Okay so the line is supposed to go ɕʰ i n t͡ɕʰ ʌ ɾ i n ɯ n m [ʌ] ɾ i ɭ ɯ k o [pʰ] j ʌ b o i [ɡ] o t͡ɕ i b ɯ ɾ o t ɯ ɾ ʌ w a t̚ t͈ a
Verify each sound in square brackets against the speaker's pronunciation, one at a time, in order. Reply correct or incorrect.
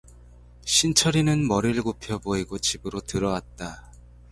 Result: correct, correct, correct

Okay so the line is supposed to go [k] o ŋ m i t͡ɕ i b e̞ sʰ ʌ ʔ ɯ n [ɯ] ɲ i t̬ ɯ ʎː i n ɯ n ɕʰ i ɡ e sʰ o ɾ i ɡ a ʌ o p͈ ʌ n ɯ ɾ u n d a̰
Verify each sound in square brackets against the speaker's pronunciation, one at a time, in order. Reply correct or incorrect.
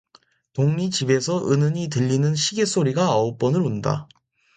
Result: incorrect, correct

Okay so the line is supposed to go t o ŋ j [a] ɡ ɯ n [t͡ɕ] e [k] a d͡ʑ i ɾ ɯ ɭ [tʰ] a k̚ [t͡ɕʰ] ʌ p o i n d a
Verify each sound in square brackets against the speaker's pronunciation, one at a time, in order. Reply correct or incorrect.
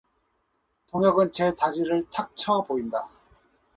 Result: incorrect, correct, incorrect, correct, correct

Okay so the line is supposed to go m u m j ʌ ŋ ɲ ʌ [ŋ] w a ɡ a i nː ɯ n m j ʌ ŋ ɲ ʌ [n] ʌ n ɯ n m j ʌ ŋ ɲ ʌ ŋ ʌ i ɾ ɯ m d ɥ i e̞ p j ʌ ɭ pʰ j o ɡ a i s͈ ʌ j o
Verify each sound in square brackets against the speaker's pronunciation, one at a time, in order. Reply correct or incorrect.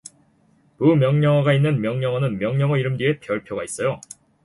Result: correct, incorrect

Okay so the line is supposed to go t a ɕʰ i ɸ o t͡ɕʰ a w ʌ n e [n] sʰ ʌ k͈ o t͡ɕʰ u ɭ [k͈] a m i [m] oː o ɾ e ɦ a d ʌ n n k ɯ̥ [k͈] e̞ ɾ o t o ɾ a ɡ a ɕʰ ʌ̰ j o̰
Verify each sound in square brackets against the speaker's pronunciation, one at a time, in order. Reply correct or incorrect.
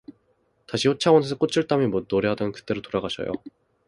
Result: incorrect, incorrect, correct, incorrect

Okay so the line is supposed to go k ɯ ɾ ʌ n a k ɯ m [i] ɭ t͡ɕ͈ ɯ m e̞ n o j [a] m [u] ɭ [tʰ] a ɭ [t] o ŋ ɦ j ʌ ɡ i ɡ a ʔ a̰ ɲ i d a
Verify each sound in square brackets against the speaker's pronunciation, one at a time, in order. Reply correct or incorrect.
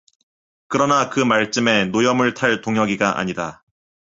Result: incorrect, incorrect, incorrect, correct, correct

